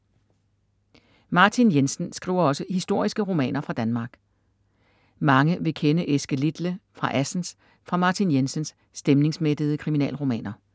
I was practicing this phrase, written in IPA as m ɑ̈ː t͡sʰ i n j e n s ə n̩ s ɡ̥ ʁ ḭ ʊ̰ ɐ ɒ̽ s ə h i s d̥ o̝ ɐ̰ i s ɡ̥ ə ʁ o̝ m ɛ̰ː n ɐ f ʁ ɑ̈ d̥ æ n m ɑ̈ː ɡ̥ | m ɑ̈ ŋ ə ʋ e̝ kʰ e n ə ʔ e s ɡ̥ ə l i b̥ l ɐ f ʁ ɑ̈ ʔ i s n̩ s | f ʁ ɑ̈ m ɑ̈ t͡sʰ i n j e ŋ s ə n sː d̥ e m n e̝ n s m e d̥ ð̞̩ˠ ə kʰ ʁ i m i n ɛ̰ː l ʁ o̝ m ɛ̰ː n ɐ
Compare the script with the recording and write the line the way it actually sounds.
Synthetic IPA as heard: m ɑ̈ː t͡sʰ i n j e n s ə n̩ s ɡ̥ ʁ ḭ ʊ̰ ɐ ɒ̽ s ə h i s d̥ o̝ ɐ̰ i s ɡ̥ ə ʁ o̝ m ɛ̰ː n ɐ f ʁ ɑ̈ d̥ æ n m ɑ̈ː ɡ̥ | m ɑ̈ ŋ ə ʋ e̝ kʰ e n ə ʔ e s ɡ̥ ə l i d̥ l ə f ʁ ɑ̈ ʔ æ s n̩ s | f ʁ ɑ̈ m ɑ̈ t͡sʰ i n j e n s ə n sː d̥ e m n e̝ ŋ s m e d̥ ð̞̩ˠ ə kʰ ʁ i m i n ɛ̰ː l ʁ o̝ m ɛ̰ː n ɐ

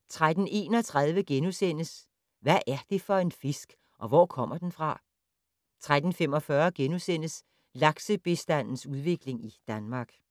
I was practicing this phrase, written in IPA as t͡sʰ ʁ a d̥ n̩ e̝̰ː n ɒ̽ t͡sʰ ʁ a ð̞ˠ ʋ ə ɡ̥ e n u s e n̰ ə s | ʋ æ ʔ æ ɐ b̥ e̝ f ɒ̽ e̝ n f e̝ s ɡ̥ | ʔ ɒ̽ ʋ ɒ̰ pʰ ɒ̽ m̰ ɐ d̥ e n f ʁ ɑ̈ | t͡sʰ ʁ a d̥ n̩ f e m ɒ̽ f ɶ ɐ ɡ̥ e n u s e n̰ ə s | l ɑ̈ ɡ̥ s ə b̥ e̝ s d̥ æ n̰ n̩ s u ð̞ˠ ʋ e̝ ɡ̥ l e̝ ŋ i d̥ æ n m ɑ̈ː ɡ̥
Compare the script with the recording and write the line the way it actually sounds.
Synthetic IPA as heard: t͡sʰ ʁ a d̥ n̩ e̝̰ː n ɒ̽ t͡sʰ ʁ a ð̞ˠ ʋ ə ɡ̥ e n u s e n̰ ə s | ʋ æ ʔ æ ɐ d̥ e̝ f ɒ̽ e̝ n f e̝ s ɡ̥ | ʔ ɒ̽ ʋ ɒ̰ kʰ ɒ̽ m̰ ɐ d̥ e n f ʁ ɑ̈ | t͡sʰ ʁ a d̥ n̩ f e m ɒ̽ f ɶ ɐ ɡ̥ e n u s e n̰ ə s | l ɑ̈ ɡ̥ s ə b̥ e̝ s d̥ æ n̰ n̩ s u ð̞ˠ ʋ e̝ ɡ̥ l e̝ ŋ i d̥ æ n m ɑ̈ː ɡ̥

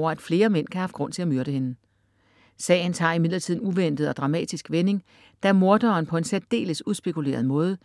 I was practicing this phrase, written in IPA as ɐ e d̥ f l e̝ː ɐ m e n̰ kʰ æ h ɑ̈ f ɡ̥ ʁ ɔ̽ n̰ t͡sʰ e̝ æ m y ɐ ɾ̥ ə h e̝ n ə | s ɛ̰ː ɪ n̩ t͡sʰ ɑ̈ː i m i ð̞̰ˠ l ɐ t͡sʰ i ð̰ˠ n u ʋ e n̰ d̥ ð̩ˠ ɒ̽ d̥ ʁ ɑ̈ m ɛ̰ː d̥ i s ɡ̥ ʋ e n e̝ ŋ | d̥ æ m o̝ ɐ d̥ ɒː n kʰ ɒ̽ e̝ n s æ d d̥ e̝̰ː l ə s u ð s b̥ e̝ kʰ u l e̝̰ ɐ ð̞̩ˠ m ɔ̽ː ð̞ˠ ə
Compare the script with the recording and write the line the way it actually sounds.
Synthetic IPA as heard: ɐ æ d̥ f l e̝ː ɐ m e n̰ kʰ æ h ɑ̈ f ɡ̥ ʁ ɔ̽ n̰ t͡sʰ e̝ æ m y ɐ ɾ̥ ə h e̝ n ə | s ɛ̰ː ɪ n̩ t͡sʰ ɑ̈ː i m i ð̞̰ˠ l ɐ t͡sʰ i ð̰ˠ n u ʋ e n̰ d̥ ð̩ˠ ɒ̽ d̥ ʁ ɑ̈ m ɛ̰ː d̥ i s ɡ̥ ʋ e n e̝ ŋ | d̥ æ m o̝ ɐ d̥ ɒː n pʰ ɒ̽ e̝ n s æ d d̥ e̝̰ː l ə s u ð s b̥ e̝ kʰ u l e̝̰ ɐ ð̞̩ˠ m ɔ̽ː ð̞ˠ ə

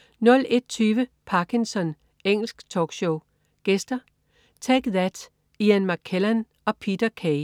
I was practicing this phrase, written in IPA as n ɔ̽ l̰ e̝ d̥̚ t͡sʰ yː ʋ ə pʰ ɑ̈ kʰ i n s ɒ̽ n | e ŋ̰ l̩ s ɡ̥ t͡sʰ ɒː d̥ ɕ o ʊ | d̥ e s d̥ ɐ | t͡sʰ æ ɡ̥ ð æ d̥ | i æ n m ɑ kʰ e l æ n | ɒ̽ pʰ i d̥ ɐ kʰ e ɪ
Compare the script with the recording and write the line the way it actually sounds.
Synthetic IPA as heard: n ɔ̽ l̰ e̝ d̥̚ t͡sʰ yː ʋ ə pʰ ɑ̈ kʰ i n s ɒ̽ n | e ŋ̰ l̩ s ɡ̥ t͡sʰ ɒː ɡ̥ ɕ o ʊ | ɡ̥ e s d̥ ɐ | t͡sʰ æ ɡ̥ ð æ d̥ | i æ n m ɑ kʰ e l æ n | ɒ̽ pʰ i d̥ ɐ kʰ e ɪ

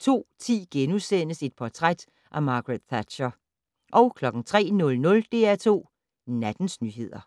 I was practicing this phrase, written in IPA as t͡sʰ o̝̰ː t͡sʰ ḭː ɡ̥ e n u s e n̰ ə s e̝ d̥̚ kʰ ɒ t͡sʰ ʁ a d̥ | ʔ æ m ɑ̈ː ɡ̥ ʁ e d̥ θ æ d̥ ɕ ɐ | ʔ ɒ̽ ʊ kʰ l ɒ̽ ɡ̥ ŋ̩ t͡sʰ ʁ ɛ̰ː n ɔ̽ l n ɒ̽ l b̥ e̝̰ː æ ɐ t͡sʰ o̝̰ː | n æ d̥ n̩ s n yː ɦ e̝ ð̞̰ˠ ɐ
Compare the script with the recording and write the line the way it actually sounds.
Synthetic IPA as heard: t͡sʰ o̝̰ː t͡sʰ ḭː ɡ̥ e n u s e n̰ ə s e̝ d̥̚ pʰ ɒ t͡sʰ ʁ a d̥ | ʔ æ m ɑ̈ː ɡ̥ ʁ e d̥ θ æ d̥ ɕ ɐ | ʔ ɒ̽ ʊ kʰ l ɒ̽ ɡ̥ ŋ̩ t͡sʰ ʁ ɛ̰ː n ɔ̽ l n ɔ̽ l d̥ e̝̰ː æ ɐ t͡sʰ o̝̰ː | n æ d̥ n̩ s n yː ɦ e̝ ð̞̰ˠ ɐ

